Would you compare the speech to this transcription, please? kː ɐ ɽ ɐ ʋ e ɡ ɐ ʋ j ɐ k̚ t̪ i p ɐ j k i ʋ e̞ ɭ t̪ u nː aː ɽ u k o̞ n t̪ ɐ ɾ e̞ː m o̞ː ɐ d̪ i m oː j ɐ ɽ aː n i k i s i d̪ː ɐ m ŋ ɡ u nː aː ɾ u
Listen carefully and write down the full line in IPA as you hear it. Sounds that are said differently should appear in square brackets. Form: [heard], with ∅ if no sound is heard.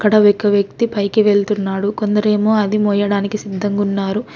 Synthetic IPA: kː ɐ ɽ ɐ ʋ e [k] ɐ ʋ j ɐ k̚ t̪ i p ɐ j k i ʋ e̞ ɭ t̪ u nː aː ɽ u k o̞ n [d̪] ɐ ɾ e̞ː m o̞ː ɐ d̪ i m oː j ɐ ɽ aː n i k i s i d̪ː ɐ [∅] ŋ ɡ u nː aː ɾ u